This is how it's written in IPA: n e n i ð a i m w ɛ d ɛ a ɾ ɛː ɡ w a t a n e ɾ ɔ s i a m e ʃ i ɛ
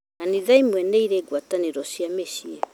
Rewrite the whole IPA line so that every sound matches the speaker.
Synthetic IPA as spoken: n a n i ð a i m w ɛ n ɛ i ɾ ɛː ɡ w a t a n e ɾ ɔ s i a m e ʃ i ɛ